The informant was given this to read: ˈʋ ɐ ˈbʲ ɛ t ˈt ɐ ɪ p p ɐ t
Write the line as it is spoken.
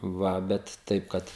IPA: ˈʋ ɐ ˈbʲ ɛ t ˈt ɐ ɪ p k ɐ t